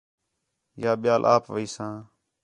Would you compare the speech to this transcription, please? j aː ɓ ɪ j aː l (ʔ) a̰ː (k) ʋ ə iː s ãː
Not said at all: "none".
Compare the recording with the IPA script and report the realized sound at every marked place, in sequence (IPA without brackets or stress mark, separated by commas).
ʔ, p